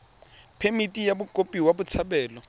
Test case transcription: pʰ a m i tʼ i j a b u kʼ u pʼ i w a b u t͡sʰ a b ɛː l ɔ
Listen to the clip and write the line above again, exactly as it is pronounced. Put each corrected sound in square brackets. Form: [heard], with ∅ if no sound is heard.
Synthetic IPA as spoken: pʰ [e] m i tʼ i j a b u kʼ [o] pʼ i w a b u t͡sʰ a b ɛː l ɔ